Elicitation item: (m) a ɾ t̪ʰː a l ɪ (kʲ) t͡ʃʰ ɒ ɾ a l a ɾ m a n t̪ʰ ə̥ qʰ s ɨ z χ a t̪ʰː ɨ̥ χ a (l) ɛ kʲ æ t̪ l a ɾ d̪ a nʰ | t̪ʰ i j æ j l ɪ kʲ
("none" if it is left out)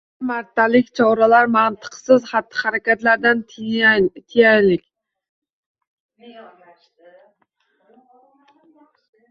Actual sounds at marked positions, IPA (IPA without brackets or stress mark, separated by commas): m, kʲ, ɾ